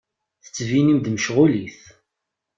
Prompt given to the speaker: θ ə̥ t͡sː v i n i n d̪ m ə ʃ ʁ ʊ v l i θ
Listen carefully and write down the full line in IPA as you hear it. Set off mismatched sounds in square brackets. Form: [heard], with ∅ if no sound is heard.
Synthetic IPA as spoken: θ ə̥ t͡sː v i n i [m] d̪ m ə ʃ ʁ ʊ [∅] l i θ